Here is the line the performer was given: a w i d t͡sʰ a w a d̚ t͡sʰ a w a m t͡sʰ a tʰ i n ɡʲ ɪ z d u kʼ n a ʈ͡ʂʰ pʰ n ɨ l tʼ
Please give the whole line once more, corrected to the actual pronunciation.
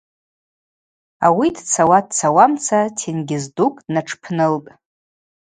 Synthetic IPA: a w i d t͡sʰ a w a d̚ t͡sʰ a w a m t͡sʰ a tʰ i n ɡʲ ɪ z d u kʼ n a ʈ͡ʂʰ pʰ n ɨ l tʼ